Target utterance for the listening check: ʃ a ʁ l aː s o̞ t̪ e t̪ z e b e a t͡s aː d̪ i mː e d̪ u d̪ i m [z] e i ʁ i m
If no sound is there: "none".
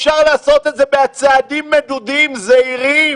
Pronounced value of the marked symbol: z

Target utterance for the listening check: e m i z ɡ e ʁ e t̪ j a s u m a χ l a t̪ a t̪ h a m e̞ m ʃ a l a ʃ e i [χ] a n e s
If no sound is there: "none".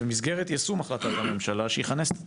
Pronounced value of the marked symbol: χ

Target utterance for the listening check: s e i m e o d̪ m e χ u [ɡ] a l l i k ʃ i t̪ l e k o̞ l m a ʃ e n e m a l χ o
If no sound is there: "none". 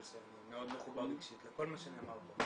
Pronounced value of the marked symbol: b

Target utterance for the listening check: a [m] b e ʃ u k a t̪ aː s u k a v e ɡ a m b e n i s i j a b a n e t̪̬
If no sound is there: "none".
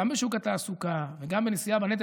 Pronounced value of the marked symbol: m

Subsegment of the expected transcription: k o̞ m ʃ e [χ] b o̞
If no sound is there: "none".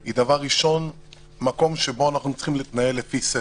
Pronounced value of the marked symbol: none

